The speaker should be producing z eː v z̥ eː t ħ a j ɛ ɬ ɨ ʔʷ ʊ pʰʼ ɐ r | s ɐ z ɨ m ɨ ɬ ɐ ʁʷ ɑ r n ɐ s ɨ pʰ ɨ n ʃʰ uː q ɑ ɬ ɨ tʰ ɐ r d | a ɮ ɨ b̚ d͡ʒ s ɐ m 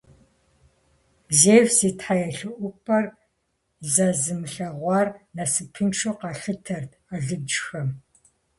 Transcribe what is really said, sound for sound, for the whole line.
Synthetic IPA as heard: z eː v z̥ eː t ħ a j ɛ ɬ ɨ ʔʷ ʊ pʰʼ ɐ r | z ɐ z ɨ m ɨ ɬ ɐ ʁʷ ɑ r n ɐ s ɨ pʰ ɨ n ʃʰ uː q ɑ ɬ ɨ tʰ ɐ r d | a ɮ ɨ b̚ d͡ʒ x ɐ m